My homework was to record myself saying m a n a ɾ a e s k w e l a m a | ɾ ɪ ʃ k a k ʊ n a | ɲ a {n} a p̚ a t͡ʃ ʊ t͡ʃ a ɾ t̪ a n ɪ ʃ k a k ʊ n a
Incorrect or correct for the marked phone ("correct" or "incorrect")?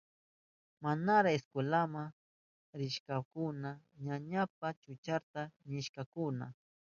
incorrect